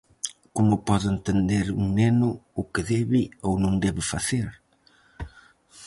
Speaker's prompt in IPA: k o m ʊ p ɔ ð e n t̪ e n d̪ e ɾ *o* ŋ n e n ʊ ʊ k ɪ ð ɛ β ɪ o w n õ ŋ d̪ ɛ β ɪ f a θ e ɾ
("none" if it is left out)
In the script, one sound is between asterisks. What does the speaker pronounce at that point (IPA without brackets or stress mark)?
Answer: u